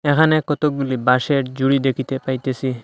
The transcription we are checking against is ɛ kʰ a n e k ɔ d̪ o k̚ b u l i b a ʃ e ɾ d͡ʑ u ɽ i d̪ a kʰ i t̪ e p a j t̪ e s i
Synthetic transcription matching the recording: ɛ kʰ a n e k ɔ t̪ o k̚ b u l i b a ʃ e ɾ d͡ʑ u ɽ i d̪ e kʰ i t̪ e p a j t̪ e s i